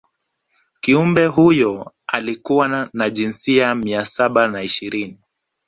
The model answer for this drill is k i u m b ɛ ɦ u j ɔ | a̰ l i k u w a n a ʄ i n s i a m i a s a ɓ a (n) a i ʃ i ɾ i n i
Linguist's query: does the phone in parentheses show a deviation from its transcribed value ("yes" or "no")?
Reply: no